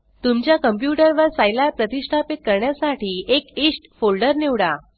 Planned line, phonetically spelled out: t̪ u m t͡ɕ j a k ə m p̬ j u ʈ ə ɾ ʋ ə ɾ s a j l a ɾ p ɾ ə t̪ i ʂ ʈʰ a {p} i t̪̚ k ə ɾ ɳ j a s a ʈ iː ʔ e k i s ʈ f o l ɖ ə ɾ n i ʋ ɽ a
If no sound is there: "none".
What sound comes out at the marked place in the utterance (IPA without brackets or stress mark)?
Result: p